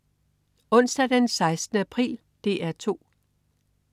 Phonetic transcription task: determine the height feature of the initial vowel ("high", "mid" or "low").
mid